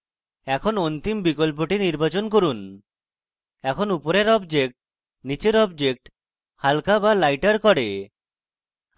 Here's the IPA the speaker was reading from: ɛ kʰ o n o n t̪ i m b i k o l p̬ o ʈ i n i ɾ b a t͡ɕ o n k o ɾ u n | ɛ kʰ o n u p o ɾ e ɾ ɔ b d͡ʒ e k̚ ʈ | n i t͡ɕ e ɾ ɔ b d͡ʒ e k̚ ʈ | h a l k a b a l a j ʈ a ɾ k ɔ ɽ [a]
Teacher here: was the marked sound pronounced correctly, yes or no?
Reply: no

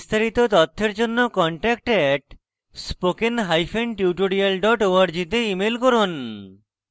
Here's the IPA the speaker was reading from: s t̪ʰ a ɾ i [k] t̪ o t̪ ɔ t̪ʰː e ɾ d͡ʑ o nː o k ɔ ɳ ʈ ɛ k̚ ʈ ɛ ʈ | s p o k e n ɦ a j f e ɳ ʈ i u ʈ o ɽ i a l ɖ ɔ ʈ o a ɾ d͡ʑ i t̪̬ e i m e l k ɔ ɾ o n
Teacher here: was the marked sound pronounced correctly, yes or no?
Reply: no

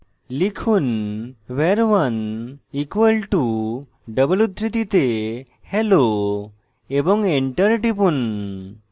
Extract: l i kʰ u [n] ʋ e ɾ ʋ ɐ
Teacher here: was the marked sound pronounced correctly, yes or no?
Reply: yes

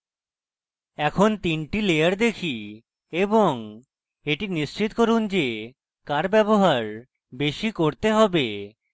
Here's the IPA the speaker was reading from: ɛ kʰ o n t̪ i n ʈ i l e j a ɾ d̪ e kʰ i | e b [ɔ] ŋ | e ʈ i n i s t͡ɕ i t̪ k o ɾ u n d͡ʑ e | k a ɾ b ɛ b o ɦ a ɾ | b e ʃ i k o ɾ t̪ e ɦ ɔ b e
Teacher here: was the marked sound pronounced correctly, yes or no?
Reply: no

